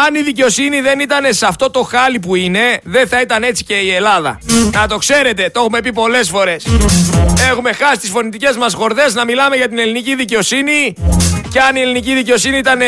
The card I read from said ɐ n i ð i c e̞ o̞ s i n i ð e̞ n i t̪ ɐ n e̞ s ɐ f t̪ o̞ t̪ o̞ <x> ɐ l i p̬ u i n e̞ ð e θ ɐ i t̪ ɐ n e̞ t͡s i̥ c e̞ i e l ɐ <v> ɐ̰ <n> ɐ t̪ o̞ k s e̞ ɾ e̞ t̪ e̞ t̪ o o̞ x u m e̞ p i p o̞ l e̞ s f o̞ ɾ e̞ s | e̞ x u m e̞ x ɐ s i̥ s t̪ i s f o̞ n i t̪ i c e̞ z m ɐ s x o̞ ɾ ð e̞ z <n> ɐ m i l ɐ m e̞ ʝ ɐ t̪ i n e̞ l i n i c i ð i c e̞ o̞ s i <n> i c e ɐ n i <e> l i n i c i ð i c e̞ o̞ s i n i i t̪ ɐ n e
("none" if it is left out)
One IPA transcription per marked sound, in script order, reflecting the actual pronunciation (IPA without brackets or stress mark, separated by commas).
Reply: x, ð, n, n, n, e